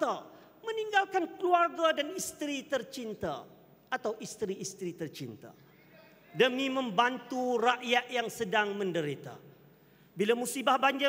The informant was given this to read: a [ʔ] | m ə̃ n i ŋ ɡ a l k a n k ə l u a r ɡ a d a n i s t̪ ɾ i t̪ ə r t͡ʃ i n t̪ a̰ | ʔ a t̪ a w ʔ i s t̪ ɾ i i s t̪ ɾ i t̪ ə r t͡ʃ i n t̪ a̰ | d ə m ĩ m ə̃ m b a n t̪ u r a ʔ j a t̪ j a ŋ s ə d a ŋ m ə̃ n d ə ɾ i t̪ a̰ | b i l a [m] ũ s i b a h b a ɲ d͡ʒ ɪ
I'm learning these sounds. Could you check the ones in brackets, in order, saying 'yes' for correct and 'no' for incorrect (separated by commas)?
no, yes